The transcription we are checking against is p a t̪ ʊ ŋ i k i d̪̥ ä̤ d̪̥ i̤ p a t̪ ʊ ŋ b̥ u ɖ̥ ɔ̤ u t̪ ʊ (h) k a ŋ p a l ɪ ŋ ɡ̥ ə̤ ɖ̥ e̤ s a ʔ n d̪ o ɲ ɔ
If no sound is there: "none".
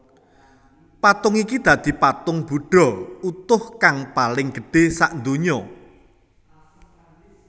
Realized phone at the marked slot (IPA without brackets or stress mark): h